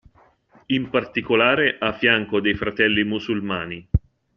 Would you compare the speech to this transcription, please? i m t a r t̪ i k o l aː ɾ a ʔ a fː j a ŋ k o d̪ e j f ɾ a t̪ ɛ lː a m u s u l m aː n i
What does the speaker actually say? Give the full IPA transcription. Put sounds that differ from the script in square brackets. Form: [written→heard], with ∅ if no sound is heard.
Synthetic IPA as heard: i m [t→p] a r t̪ i k o l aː ɾ [a→e] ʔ a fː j a ŋ k o d̪ e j f ɾ a t̪ ɛ lː [a→i] m u s u l m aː n i